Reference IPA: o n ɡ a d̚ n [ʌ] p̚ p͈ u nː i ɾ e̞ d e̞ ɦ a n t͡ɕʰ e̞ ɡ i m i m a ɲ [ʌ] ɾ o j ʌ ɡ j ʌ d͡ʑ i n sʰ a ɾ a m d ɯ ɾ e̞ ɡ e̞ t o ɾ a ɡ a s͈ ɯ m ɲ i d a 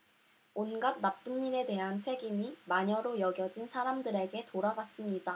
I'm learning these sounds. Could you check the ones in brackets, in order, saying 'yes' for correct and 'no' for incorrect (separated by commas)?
no, yes